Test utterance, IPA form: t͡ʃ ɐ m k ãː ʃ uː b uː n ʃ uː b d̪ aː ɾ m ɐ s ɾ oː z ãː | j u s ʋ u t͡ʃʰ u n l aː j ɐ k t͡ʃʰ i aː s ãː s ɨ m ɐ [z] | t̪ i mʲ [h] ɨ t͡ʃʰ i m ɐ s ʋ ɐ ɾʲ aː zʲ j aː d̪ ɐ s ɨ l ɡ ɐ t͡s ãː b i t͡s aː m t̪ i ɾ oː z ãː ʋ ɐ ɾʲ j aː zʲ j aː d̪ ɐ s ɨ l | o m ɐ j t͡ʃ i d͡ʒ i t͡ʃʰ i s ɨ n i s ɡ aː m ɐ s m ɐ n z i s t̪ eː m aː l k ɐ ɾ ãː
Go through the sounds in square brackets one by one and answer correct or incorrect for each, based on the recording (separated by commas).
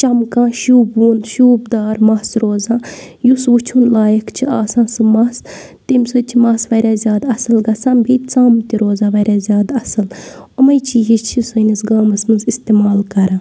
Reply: incorrect, incorrect